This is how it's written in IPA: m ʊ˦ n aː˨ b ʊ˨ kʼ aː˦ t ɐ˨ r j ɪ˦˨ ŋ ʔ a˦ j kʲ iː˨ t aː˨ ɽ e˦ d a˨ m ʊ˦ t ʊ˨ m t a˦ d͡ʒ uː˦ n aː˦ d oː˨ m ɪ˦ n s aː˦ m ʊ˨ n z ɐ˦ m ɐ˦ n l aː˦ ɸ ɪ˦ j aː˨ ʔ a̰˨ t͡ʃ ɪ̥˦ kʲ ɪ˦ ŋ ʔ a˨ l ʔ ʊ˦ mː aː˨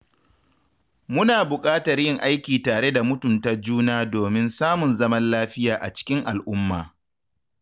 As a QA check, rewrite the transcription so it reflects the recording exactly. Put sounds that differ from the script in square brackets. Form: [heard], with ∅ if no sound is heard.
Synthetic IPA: m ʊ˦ n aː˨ b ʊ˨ kʼ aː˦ t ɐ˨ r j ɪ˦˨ ŋ ʔ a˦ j kʲ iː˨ t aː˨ ɽ e˦ d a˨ m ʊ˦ t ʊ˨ m t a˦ d͡ʒ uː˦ n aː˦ d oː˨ m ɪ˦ n s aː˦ m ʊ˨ n z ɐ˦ m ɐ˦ n l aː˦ ɸ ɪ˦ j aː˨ ʔ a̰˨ t͡ʃ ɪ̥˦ kʲ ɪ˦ ŋ ʔ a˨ l ʔ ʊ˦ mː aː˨